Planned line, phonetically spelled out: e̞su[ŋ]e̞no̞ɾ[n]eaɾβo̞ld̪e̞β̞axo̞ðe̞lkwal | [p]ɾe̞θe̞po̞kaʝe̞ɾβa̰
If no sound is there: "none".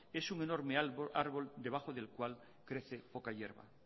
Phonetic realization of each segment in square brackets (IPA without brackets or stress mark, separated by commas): ŋ, m, k